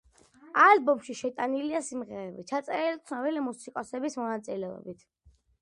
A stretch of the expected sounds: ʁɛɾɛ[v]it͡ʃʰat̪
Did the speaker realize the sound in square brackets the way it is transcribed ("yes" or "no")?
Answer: no